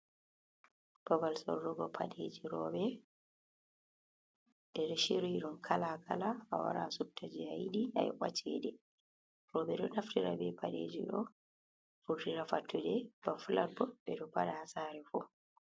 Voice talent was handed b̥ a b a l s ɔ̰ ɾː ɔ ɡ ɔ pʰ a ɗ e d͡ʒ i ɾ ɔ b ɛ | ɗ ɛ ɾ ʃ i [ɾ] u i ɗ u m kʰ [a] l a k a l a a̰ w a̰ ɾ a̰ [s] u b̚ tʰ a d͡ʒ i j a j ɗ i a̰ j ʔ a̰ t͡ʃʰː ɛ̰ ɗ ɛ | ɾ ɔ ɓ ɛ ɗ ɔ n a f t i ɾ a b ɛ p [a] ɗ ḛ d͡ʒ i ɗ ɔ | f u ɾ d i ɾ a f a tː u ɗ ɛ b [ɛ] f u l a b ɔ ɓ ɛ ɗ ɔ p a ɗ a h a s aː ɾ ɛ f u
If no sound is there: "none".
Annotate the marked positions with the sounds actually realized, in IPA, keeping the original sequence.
ɾ, a, s, a, a

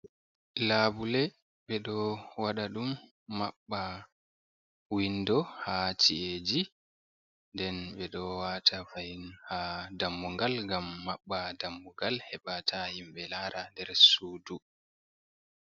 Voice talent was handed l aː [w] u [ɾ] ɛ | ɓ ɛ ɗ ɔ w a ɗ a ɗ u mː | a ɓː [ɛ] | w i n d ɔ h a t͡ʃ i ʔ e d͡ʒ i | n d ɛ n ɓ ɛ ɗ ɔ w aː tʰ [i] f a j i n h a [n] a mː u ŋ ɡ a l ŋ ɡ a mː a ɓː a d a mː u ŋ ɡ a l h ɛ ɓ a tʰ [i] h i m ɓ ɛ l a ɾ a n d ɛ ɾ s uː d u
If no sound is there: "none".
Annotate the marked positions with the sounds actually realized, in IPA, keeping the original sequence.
b, l, a, a, d, a

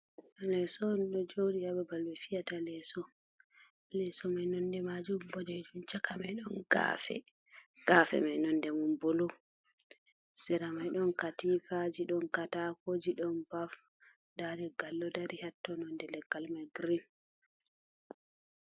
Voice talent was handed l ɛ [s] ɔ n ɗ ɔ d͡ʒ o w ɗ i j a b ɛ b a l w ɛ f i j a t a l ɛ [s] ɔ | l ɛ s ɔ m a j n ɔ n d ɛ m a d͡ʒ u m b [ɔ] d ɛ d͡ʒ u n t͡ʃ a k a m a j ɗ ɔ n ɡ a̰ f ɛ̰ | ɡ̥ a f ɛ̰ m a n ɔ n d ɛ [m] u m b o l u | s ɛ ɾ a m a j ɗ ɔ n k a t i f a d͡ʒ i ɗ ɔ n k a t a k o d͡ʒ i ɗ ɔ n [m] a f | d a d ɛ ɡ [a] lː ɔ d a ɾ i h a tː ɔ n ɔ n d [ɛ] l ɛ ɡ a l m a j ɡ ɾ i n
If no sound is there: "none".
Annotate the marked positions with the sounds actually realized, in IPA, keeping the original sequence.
s, s, ɔ, m, b, a, ɛ

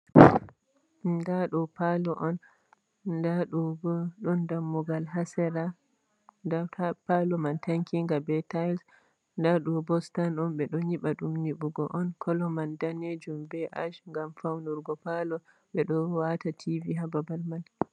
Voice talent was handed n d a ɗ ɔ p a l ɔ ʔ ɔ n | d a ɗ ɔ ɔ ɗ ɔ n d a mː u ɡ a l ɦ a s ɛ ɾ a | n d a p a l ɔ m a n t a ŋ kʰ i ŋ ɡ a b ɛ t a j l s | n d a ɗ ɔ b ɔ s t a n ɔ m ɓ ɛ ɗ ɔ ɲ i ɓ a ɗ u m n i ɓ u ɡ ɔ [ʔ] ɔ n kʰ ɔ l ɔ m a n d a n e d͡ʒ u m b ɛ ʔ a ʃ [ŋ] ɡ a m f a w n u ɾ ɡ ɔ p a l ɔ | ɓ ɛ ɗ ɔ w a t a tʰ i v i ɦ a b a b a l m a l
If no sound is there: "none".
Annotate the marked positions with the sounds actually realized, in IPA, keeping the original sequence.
ʔ, ŋ

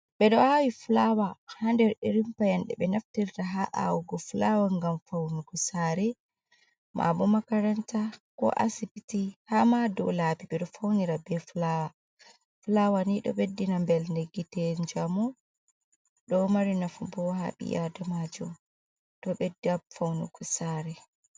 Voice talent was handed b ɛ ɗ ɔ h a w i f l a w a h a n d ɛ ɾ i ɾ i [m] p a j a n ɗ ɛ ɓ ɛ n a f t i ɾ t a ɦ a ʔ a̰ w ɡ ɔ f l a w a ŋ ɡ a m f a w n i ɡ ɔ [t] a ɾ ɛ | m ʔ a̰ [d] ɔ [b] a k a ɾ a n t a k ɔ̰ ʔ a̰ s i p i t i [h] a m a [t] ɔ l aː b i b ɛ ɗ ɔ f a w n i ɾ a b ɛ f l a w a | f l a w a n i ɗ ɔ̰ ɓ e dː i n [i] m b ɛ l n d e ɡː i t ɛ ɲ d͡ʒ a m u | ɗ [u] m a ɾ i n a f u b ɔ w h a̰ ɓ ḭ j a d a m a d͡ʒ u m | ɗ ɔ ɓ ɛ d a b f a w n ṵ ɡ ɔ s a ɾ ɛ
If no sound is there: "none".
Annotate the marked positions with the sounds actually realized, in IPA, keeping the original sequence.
m, s, b, m, h, d, a, ɔ

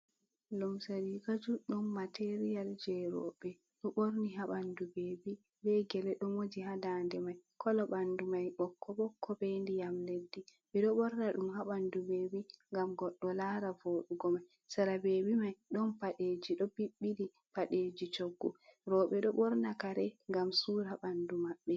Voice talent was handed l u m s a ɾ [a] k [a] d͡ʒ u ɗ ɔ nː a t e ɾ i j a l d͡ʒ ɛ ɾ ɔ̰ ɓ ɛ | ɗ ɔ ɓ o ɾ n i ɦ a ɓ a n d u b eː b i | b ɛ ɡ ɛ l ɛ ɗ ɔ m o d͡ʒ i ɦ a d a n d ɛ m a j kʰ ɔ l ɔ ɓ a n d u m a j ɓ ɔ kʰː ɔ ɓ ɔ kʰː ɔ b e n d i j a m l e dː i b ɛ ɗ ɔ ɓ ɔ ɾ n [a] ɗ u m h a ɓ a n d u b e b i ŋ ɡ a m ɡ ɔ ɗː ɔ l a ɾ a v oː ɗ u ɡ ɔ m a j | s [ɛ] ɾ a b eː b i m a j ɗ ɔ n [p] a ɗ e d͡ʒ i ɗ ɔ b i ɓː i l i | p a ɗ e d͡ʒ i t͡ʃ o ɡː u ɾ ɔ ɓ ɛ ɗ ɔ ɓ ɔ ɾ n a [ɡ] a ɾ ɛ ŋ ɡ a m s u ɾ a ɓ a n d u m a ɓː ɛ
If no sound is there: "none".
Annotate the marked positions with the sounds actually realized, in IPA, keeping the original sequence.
i, a, a, a, p, k

